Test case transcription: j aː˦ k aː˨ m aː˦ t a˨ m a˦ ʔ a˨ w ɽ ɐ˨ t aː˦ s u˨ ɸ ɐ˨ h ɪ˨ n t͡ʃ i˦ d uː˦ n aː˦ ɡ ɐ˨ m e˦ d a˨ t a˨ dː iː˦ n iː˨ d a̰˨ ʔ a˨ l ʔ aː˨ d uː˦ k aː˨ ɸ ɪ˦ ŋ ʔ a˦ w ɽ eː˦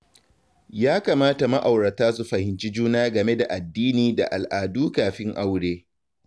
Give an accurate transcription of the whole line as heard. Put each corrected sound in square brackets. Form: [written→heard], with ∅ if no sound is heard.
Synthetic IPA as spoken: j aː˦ k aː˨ m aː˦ t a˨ m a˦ ʔ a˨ w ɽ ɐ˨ t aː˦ s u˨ ɸ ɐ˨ h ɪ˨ n t͡ʃ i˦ [d→d͡ʒ] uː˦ n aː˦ ɡ ɐ˨ m e˦ d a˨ [t→ʔ] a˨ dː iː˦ n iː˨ d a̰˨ ʔ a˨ l ʔ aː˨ d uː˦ k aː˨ ɸ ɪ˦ ŋ ʔ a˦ w ɽ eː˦